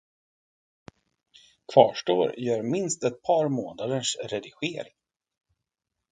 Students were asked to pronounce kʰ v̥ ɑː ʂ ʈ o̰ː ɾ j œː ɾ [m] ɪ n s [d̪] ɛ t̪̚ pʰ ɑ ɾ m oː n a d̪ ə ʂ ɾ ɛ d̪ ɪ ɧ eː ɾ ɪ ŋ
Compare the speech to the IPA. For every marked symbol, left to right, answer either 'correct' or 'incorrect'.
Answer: correct, incorrect: t̪

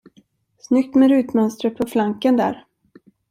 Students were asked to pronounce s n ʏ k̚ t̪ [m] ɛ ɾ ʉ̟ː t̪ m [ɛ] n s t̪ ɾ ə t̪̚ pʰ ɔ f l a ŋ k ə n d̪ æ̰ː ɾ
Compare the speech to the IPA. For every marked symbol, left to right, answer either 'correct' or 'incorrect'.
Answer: correct, incorrect: œ

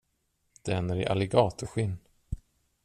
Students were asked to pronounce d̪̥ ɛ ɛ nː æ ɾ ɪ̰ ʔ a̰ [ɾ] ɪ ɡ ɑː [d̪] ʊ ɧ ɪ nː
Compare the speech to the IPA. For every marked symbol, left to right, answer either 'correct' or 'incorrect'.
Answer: incorrect: l, incorrect: t̪

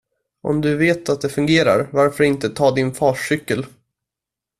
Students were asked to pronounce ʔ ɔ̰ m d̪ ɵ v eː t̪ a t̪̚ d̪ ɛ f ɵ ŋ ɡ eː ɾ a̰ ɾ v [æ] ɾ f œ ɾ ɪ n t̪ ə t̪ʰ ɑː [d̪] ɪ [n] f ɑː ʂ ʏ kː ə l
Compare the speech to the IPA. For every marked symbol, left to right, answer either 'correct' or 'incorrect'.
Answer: incorrect: a, correct, correct

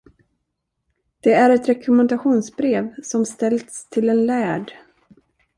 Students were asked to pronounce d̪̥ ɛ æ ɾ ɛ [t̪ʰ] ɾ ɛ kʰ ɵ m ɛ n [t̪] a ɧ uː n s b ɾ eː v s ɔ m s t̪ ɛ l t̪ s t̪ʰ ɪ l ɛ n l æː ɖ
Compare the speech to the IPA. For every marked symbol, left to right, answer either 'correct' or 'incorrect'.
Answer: incorrect: t̪, incorrect: d̪

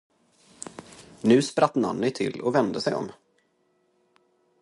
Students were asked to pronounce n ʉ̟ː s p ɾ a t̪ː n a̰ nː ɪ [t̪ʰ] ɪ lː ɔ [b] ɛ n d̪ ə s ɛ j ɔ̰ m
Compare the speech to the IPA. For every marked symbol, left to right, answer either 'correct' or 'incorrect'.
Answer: correct, incorrect: v

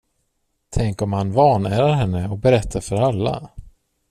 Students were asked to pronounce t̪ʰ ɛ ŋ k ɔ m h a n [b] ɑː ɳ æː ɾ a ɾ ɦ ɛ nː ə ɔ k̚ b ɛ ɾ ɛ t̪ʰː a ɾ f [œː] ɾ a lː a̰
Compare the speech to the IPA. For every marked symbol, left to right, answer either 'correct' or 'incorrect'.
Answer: incorrect: v, incorrect: œ

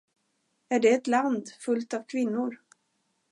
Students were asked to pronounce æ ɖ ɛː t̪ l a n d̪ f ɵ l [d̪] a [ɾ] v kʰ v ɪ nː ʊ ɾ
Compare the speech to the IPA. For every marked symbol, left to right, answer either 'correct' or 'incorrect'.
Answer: incorrect: t̪, incorrect: none

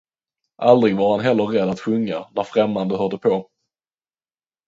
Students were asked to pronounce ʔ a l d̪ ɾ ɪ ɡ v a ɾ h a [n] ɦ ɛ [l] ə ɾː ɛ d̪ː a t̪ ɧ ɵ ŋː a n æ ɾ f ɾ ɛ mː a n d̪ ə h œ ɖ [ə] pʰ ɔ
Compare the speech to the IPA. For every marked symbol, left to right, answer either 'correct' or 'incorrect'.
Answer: correct, incorrect: lː, correct

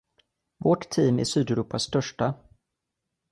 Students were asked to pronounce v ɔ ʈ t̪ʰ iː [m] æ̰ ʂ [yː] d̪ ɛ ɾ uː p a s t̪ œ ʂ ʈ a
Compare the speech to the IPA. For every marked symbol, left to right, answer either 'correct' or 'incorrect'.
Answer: correct, correct

